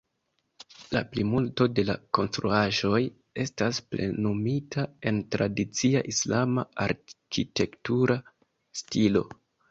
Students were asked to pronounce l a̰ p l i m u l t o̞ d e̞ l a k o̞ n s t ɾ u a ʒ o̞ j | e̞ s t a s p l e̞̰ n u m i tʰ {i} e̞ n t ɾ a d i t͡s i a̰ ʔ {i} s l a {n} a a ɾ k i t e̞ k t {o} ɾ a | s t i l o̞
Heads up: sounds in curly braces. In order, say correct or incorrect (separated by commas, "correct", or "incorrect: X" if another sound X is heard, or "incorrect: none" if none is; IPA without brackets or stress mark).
incorrect: a, correct, incorrect: m, incorrect: u